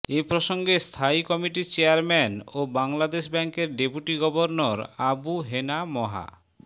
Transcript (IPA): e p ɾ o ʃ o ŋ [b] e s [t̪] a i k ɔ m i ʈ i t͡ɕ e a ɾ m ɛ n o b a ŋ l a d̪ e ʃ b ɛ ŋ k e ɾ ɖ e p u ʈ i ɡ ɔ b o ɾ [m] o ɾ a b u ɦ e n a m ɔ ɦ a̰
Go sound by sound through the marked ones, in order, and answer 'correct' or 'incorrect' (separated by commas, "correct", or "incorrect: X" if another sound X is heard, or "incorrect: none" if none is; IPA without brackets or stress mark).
incorrect: ɡ, incorrect: t̪ʰ, incorrect: n